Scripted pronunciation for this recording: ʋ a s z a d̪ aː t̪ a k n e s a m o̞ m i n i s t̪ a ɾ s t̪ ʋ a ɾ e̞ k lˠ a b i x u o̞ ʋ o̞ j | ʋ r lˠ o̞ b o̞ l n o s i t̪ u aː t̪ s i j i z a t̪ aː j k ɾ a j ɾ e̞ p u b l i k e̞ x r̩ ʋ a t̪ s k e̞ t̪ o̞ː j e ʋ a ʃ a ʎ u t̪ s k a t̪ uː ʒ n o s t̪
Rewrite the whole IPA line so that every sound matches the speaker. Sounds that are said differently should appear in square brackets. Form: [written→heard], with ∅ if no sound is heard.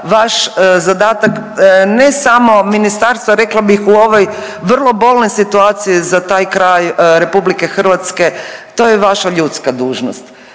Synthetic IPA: ʋ a [s→ʃ] z a d̪ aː t̪ a k n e s a m o̞ m i n i s t̪ a ɾ s t̪ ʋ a ɾ e̞ k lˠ a b i x u o̞ ʋ o̞ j | ʋ r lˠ o̞ b o̞ l n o s i t̪ u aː t̪ s i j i z a t̪ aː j k ɾ a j ɾ e̞ p u b l i k e̞ x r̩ ʋ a t̪ s k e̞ t̪ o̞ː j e ʋ a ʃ a ʎ u t̪ s k a [t̪→d̪] uː ʒ n o s t̪